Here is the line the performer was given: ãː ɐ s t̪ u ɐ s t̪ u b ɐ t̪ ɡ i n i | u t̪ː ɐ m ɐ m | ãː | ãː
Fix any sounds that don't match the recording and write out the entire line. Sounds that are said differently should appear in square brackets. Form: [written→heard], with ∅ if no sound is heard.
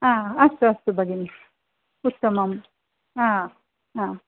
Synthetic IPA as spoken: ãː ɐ s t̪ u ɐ s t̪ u b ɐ [t̪→∅] ɡ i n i | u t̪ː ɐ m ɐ m | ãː | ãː

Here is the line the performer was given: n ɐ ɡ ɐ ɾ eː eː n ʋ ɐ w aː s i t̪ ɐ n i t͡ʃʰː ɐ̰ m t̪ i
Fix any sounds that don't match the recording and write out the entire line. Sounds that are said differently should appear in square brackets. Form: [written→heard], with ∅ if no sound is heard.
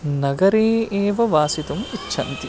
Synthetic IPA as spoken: n ɐ ɡ ɐ ɾ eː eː [n→∅] ʋ ɐ [w→ʋ] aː s i t̪ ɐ [n→m] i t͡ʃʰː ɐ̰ [m→n] t̪ i

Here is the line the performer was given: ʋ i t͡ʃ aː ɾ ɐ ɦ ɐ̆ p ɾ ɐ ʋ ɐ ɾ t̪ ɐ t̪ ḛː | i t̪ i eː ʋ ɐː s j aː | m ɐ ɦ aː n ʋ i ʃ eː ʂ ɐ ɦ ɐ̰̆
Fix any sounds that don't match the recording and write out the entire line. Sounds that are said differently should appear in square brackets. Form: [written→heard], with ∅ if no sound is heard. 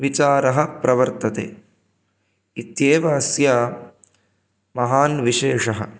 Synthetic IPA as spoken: ʋ i t͡ʃ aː ɾ ɐ ɦ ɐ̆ p ɾ ɐ ʋ ɐ ɾ t̪ ɐ t̪ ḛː | i t̪ [i→j] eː ʋ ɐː s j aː | m ɐ ɦ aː n ʋ i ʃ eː ʂ ɐ ɦ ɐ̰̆

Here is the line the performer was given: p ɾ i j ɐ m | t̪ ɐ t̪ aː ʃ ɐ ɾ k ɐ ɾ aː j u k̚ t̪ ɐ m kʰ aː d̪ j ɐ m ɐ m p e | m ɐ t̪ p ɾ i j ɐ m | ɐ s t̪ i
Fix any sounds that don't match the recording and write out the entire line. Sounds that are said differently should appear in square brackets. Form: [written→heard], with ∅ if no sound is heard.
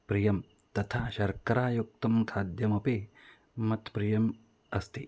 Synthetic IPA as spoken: p ɾ i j ɐ m | t̪ ɐ [t̪→t̪ʰ] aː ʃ ɐ ɾ k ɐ ɾ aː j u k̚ t̪ ɐ m kʰ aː d̪ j ɐ m ɐ [m→∅] p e | m ɐ t̪ p ɾ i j ɐ m | ɐ s t̪ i

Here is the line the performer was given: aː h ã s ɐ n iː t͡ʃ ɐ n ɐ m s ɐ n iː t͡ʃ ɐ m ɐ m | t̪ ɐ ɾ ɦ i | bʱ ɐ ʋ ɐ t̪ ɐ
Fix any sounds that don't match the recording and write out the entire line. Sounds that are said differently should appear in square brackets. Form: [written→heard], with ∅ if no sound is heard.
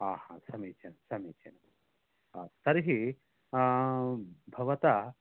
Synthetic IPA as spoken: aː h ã s ɐ [n→m] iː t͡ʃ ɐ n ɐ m s ɐ [n→m] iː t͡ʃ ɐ [m→n] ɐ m | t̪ ɐ ɾ ɦ i | bʱ ɐ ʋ ɐ t̪ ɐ

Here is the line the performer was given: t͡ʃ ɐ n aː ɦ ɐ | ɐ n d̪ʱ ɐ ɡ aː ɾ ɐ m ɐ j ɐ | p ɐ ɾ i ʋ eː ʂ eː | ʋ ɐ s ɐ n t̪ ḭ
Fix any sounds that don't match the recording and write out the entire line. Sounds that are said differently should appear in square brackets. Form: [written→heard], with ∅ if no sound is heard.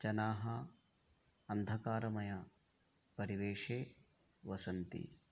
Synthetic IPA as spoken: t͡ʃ ɐ n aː ɦ ɐ | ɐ n d̪ʱ ɐ [ɡ→k] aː ɾ ɐ m ɐ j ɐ | p ɐ ɾ i ʋ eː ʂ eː | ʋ ɐ s ɐ n t̪ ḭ

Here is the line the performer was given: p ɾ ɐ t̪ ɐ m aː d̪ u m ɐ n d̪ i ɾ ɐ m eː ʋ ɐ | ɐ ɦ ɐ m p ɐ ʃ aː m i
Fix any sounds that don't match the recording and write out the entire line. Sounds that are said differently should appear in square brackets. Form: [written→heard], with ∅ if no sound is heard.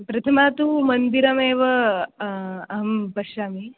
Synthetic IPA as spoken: p ɾ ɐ [t̪→t̪ʰ] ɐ m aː [d̪→t̪] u m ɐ n d̪ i ɾ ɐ m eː ʋ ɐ | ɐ ɦ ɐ m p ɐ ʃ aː m i

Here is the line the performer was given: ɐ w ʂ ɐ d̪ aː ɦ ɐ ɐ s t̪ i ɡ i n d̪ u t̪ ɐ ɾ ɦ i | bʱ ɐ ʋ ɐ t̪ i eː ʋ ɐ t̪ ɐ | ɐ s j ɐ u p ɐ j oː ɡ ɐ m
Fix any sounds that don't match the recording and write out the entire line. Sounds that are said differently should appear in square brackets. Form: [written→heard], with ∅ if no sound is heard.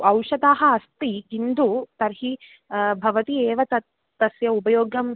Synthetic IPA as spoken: ɐ w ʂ ɐ d̪ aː ɦ ɐ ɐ s t̪ i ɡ i n d̪ u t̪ ɐ ɾ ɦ i | bʱ ɐ ʋ ɐ t̪ i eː ʋ ɐ t̪ ɐ | ɐ s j ɐ u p ɐ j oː ɡ ɐ m

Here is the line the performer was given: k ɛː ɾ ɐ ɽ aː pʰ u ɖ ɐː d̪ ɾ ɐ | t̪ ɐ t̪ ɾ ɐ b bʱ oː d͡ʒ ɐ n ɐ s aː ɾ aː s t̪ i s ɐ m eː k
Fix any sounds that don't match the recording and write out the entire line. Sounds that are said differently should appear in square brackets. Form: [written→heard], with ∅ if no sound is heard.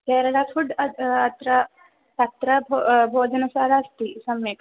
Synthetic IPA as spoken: k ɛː ɾ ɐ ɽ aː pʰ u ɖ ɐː [d̪→t̪] ɾ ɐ | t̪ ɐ t̪ ɾ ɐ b bʱ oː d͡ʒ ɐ n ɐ s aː ɾ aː s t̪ i s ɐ m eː k

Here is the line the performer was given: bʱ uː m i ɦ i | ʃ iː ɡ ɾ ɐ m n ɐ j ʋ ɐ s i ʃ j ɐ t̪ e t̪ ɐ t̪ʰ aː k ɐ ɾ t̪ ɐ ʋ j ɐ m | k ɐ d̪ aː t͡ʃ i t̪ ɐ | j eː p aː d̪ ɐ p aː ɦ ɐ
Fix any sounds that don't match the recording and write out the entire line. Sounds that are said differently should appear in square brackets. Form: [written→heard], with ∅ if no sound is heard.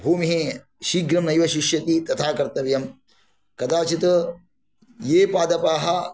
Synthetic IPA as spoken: bʱ uː m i ɦ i | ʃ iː ɡ ɾ ɐ m n ɐ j ʋ ɐ [s→ʃ] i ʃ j ɐ t̪ [e→i] t̪ ɐ t̪ʰ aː k ɐ ɾ t̪ ɐ ʋ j ɐ m | k ɐ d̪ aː t͡ʃ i t̪ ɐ | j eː p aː d̪ ɐ p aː ɦ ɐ

